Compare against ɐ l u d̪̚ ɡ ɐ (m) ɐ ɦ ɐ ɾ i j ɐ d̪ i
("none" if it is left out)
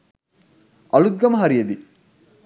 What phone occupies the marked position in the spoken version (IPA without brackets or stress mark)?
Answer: m